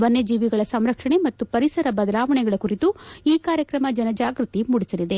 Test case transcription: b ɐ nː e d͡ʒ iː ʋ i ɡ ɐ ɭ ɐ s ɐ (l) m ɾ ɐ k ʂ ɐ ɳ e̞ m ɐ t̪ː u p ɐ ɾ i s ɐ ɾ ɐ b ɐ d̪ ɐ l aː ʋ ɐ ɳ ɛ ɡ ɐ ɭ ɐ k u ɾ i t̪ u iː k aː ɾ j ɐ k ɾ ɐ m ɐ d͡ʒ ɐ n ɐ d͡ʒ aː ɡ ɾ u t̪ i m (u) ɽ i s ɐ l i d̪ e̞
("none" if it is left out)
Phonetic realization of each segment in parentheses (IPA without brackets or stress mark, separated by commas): none, u